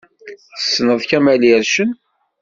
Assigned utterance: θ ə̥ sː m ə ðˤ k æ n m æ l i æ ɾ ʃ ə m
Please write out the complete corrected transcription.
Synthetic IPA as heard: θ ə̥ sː n ə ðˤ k æ m æ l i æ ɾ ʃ ə n